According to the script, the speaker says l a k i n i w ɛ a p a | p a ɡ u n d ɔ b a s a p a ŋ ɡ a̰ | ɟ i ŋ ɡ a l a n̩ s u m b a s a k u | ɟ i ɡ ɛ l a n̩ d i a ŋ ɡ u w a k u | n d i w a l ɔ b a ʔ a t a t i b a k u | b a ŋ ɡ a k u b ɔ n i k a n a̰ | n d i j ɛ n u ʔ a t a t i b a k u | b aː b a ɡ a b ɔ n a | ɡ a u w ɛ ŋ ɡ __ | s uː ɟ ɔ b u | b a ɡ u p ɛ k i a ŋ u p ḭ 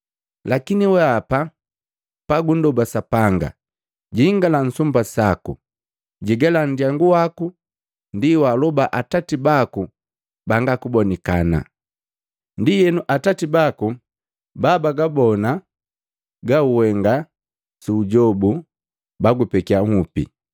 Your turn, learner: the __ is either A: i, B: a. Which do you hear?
B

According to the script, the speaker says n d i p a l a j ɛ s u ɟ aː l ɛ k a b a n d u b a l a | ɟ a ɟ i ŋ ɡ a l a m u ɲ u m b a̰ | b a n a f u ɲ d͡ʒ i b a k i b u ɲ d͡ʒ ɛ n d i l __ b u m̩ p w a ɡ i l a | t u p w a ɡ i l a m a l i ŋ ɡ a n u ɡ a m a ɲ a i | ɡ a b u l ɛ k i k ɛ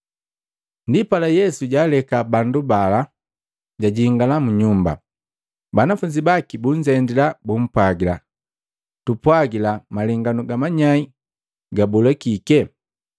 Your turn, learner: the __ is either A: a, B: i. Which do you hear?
A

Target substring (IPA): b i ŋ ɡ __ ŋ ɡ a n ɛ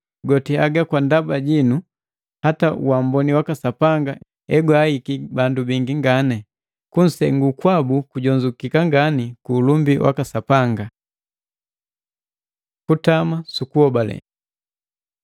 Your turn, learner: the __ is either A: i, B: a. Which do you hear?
A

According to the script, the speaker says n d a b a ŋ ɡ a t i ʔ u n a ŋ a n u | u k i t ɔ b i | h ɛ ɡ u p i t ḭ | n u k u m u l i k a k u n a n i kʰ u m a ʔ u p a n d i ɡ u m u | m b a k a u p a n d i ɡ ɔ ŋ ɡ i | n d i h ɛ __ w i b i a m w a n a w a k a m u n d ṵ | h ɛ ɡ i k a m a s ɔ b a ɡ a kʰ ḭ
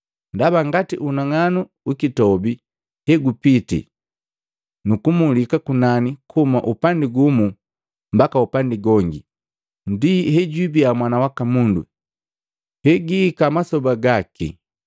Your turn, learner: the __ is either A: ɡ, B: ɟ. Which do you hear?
B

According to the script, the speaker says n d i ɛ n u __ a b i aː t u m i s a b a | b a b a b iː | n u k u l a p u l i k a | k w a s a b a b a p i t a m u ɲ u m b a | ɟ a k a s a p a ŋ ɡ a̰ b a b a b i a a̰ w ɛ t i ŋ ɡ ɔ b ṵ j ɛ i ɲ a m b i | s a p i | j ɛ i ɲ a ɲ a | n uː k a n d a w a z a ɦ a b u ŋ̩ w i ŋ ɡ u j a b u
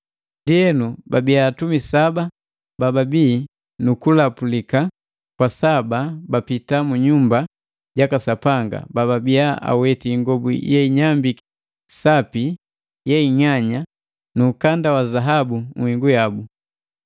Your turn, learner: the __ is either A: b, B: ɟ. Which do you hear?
A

